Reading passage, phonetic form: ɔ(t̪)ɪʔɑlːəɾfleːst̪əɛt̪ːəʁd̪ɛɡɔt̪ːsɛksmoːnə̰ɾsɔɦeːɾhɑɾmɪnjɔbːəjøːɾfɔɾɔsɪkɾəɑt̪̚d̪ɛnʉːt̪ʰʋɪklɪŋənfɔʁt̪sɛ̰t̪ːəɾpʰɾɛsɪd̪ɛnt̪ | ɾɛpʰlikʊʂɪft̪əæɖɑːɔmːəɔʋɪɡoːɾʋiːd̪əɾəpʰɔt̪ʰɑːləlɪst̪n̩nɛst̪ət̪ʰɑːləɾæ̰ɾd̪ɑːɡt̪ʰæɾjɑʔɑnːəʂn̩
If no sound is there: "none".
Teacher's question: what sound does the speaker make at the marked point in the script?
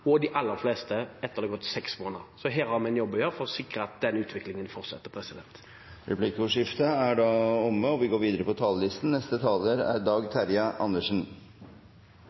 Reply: d̪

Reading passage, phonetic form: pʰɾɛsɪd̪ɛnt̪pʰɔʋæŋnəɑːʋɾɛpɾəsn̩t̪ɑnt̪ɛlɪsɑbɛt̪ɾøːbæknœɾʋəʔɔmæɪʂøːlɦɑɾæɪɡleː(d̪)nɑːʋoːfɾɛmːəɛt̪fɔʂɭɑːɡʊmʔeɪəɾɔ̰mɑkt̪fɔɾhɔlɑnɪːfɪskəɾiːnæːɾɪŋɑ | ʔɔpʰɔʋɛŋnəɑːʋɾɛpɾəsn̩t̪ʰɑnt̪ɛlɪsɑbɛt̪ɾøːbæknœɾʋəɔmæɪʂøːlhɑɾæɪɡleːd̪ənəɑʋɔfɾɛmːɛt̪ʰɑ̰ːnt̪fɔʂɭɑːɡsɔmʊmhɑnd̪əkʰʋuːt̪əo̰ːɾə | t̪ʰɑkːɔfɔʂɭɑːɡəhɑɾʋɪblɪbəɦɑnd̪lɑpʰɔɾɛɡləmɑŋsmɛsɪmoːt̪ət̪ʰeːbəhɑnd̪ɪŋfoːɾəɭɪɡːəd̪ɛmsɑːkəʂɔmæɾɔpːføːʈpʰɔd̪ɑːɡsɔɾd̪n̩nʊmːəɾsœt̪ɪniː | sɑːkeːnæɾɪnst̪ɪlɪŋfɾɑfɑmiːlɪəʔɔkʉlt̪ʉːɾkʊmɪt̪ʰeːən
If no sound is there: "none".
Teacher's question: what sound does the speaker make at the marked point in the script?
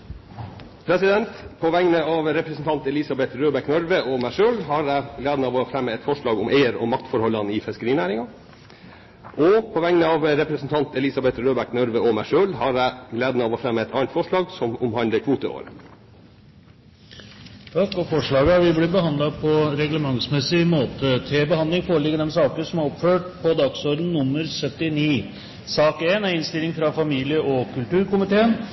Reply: d̪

